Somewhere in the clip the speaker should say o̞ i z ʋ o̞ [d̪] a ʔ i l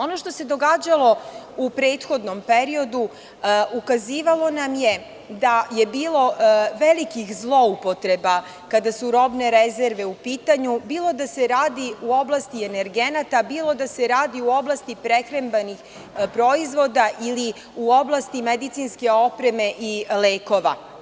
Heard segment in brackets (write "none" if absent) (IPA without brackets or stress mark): d̪